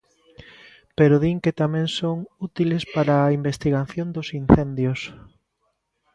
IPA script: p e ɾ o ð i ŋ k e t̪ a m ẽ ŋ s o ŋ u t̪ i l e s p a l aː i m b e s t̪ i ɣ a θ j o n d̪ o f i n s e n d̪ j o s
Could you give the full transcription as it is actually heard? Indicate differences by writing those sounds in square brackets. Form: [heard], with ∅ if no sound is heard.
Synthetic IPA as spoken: p e ɾ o ð i ŋ k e t̪ a m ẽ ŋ s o ŋ u t̪ i l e s p a [ɾ] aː i m b e s t̪ i ɣ a θ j o n d̪ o [s] i n [θ] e n d̪ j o s